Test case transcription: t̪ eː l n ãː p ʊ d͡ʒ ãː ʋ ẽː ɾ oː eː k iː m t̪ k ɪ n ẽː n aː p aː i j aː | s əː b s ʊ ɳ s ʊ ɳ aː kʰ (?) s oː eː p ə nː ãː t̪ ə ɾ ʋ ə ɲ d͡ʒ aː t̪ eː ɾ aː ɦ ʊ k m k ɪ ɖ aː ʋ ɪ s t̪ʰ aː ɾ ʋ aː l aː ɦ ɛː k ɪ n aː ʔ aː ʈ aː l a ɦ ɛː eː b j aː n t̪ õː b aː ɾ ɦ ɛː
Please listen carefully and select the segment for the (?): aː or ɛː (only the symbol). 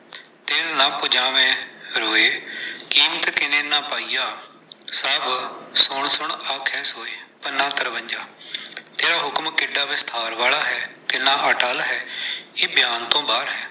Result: ɛː